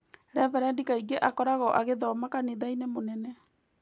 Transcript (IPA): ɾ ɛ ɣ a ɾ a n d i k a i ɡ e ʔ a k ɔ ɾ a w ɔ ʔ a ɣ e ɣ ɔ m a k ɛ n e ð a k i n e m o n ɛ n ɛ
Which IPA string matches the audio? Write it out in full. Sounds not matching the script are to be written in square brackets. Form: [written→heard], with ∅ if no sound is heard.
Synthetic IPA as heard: ɾ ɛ [ɣ→v] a ɾ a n d i k a i ɡ e ʔ a k ɔ ɾ a [w→ɣ] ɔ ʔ a ɣ e [ɣ→ð] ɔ m a k [ɛ→a] n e ð a [k→∅] i n e m o n ɛ n ɛ